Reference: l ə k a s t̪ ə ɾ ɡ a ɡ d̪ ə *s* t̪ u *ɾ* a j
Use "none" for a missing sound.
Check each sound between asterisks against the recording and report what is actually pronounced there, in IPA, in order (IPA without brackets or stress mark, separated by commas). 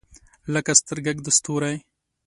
s, ɾ